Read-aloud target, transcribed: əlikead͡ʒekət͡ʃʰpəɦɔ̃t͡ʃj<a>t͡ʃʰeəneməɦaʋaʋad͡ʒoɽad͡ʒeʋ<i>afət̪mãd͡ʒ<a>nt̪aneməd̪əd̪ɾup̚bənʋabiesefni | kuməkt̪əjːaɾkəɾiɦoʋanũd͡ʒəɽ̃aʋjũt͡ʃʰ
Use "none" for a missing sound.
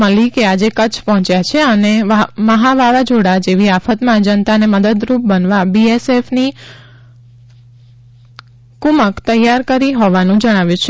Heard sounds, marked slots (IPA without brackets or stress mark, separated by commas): a, i, ə